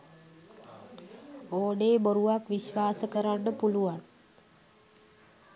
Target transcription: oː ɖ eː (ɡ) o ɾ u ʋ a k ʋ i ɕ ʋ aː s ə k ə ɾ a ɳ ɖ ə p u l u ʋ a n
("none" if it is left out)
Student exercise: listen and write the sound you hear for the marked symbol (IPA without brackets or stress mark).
b